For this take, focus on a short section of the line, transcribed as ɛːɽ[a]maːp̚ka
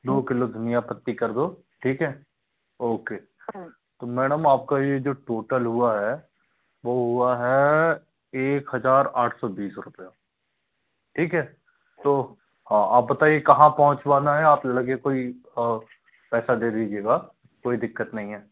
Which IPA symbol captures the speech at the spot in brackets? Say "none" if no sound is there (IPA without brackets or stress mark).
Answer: ə